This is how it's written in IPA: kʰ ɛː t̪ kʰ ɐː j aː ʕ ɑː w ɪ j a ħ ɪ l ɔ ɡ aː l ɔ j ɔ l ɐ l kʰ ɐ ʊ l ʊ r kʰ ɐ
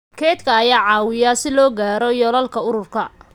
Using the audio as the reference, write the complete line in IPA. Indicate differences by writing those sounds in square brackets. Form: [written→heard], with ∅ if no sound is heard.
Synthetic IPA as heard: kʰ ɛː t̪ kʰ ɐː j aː ʕ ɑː w ɪ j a [ħ→s] ɪ l [ɔ→ɔː] ɡ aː [l→ɾ] ɔ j ɔ l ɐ l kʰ ɐ ʊ [l→ɾ] ʊ r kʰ ɐ

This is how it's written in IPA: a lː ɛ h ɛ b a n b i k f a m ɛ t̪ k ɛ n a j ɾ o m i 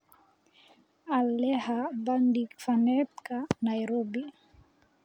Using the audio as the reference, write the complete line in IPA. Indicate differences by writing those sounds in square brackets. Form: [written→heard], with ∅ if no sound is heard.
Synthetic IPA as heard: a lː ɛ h [ɛ→a] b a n [b→d] i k f a [m→n] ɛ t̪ k [ɛ→a] n a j ɾ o [m→b] i

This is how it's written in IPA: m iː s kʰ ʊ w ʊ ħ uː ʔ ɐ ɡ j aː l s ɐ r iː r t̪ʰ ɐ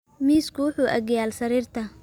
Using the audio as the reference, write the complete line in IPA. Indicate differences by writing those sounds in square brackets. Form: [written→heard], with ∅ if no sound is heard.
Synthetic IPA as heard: m iː s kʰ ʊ w ʊ ħ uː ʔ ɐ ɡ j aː l s ɐ [r→ɾ] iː r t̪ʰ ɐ

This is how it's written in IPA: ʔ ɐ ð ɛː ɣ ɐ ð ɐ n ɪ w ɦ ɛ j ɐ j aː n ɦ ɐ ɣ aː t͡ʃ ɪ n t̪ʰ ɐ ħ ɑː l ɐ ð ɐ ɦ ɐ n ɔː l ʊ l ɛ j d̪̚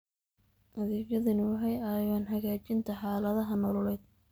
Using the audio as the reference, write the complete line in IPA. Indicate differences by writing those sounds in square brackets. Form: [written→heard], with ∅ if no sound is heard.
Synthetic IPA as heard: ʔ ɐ ð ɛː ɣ ɐ ð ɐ n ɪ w ɦ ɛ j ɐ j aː n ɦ ɐ ɣ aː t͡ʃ ɪ n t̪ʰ ɐ ħ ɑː l ɐ ð ɐ ɦ ɐ n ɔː l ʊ l ɛ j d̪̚

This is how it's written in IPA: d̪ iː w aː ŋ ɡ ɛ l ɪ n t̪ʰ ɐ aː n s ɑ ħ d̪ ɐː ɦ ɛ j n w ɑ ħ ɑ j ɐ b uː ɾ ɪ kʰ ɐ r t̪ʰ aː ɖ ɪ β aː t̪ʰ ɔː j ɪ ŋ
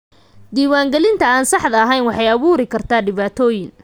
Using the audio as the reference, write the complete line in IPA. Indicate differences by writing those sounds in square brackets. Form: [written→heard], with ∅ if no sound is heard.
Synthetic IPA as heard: d̪ iː w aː ŋ ɡ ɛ l ɪ n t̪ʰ ɐ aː n s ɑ ħ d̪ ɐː ɦ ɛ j n w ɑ ħ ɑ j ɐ [b→β] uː ɾ ɪ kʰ ɐ r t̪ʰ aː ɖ ɪ β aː t̪ʰ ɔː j ɪ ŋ

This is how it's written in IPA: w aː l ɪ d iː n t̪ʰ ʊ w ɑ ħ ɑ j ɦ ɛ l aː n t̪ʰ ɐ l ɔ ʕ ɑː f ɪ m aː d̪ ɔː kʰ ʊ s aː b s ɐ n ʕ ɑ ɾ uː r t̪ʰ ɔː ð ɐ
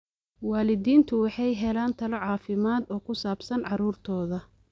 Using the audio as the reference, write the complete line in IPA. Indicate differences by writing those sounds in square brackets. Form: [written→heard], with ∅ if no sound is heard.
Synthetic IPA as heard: w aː l ɪ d iː n t̪ʰ ʊ w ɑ ħ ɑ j ɦ ɛ l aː n t̪ʰ ɐ l ɔ ʕ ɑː f ɪ m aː d̪ ɔː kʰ ʊ s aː b s ɐ n ʕ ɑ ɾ uː r t̪ʰ ɔː ð ɐ

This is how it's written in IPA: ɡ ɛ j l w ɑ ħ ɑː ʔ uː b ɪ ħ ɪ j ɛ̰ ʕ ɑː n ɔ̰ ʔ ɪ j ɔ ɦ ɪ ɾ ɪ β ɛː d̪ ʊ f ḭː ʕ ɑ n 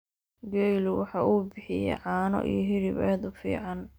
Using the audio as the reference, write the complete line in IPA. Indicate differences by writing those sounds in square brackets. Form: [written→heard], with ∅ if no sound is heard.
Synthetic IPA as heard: ɡ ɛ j l w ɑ ħ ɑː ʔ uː b ɪ ħ ɪ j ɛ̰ ʕ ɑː n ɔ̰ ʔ [ɪ→i] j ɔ ɦ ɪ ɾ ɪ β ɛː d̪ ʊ f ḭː ʕ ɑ n

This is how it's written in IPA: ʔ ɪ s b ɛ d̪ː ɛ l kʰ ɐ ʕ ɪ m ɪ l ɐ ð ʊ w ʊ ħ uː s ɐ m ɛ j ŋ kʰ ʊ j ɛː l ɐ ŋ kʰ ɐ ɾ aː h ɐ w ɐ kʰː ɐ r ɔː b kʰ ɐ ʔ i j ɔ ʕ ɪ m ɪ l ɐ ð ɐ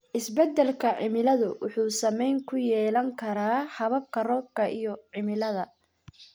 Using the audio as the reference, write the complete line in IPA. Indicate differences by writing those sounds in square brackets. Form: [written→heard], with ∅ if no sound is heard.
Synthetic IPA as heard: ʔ ɪ s b ɛ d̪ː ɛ l kʰ ɐ ʕ ɪ m ɪ l ɐ ð ʊ w ʊ ħ uː s ɐ m ɛ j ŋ kʰ ʊ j ɛː l ɐ ŋ kʰ ɐ ɾ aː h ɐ [w→β] ɐ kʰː ɐ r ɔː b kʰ ɐ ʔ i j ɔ ʕ ɪ m ɪ l ɐ ð ɐ

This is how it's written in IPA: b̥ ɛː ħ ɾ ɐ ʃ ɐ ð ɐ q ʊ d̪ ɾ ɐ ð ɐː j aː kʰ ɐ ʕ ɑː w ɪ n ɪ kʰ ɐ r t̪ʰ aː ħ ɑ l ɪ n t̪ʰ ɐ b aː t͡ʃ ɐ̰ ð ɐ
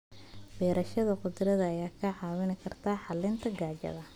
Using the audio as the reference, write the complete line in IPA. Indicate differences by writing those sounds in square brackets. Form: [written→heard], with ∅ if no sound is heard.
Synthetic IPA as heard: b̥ ɛː [ħ→∅] ɾ ɐ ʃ ɐ ð ɐ q ʊ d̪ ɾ ɐ ð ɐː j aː kʰ ɐ ʕ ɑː w ɪ n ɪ kʰ ɐ r t̪ʰ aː ħ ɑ l ɪ n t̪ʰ ɐ [b→ɡ] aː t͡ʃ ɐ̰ ð ɐ

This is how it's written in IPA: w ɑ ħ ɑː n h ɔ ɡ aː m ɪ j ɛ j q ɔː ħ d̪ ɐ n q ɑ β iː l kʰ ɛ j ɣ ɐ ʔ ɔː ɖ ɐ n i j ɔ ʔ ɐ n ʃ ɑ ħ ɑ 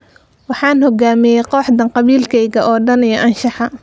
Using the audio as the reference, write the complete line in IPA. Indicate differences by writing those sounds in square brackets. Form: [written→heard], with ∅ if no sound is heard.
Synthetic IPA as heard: w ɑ ħ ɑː n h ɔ ɡ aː m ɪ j ɛ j q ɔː ħ d̪ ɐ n q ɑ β iː l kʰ ɛ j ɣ ɐ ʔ ɔː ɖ ɐ n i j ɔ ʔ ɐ n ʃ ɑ ħ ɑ

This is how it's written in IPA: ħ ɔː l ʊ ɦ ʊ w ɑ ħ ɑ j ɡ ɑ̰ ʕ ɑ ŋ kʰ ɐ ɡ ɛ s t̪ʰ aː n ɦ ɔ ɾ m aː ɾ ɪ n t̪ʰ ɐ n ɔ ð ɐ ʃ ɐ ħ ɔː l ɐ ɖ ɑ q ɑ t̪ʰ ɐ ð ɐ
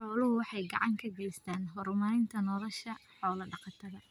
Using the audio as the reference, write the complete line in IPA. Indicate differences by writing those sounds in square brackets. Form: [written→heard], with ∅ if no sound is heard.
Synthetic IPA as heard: ħ ɔː l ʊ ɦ ʊ w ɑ ħ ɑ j ɡ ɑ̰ ʕ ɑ ŋ kʰ ɐ ɡ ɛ s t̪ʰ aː n ɦ ɔ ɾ m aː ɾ ɪ n t̪ʰ ɐ n ɔ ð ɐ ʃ ɐ ħ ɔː l ɐ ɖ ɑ q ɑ t̪ʰ ɐ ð ɐ

